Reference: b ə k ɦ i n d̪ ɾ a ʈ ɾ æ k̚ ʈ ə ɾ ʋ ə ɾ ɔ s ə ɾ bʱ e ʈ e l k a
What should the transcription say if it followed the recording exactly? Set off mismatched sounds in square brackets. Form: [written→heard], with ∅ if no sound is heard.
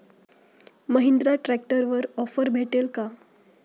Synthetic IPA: [b→m] ə [k→∅] ɦ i n d̪ ɾ a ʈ ɾ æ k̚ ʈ ə ɾ ʋ ə ɾ ɔ [s→f] ə ɾ bʱ e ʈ e l k a